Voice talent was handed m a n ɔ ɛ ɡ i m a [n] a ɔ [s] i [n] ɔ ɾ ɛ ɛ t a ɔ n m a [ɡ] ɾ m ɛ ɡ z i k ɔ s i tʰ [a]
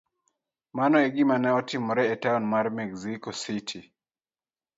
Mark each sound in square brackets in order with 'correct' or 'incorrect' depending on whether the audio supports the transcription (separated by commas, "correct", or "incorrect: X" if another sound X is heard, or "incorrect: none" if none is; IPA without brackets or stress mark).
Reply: correct, incorrect: t, incorrect: m, incorrect: none, incorrect: i